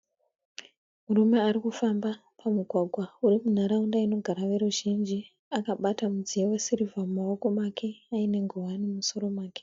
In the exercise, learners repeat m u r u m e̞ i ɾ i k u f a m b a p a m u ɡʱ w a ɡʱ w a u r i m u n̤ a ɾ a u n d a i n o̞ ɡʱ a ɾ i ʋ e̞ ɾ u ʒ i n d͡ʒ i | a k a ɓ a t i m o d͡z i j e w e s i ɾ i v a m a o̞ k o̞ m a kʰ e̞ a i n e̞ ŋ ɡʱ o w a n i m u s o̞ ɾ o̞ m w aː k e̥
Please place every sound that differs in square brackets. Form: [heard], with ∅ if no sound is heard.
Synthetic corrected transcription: m u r u m e̞ [a] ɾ i k u f a m b a p a m u ɡʱ w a ɡʱ w a u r i m u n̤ a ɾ a u n d a i n o̞ ɡʱ a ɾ [a] ʋ e̞ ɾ u ʒ i n d͡ʒ i | a k a ɓ a t [a] m [u] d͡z i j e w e s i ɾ i v a m a o̞ k o̞ m a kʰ e̞ a i n e̞ ŋ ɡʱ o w a n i m u s o̞ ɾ o̞ m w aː k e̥